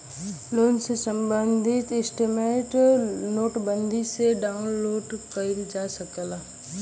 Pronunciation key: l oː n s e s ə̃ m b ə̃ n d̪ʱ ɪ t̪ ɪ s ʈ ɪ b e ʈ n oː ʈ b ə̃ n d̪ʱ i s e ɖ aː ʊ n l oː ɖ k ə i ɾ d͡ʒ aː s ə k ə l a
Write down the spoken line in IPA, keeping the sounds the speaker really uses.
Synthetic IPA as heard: l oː n s e s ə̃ m b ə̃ n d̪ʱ ɪ t̪ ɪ s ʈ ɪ m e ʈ n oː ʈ b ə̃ n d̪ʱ i s e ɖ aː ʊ n l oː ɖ k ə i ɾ d͡ʒ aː s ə k ə l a